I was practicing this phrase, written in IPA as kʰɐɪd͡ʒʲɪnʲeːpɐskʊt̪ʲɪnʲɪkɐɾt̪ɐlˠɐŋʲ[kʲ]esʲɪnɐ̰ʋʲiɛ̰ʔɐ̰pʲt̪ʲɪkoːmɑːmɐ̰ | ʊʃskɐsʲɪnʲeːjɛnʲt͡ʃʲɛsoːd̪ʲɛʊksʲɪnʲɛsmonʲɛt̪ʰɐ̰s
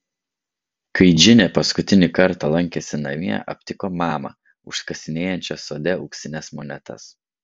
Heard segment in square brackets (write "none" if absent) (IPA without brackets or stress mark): kʲ